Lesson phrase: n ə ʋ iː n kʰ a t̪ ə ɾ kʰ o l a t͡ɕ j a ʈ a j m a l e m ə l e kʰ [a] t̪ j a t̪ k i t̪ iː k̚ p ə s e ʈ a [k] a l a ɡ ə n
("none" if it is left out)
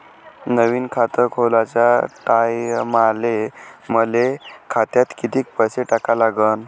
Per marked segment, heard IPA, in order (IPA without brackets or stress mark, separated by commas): a, k